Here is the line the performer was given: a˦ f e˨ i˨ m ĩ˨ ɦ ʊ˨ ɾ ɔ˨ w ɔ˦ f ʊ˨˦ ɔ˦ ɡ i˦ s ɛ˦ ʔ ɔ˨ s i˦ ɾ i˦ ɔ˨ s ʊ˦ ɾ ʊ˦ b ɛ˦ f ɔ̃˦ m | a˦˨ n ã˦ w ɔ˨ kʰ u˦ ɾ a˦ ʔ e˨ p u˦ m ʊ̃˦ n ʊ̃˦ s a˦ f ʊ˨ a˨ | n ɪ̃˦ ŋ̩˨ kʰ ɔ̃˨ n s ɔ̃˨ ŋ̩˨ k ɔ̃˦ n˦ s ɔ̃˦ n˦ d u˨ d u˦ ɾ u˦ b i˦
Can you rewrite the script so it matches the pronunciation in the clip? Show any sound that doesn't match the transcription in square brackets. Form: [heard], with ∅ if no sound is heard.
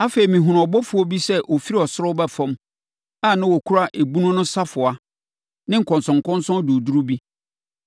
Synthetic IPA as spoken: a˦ f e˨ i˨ m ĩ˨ ɦ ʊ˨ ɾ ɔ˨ [b] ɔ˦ f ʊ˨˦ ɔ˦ [b] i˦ s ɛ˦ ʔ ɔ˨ [f] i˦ ɾ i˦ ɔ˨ s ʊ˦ ɾ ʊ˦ b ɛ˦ f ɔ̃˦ m | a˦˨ n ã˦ w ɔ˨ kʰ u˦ ɾ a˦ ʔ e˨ [b] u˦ [n] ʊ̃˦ n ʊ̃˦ s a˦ f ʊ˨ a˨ | n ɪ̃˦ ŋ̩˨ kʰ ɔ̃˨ n s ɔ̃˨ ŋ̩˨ k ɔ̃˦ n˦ s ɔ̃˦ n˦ d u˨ d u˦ ɾ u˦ b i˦